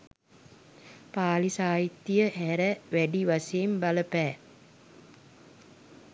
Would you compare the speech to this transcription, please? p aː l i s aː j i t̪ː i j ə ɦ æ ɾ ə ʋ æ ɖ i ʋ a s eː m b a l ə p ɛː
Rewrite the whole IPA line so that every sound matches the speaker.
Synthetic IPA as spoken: p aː l i s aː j i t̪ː i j ə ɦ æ ɾ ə ʋ æ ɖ i ʋ a s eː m b a l ə p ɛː